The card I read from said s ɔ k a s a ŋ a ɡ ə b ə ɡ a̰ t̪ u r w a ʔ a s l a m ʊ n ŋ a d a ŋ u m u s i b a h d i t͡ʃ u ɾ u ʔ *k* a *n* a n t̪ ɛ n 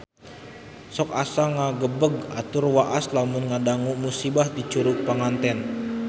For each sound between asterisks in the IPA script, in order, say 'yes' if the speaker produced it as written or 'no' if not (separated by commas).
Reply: no, no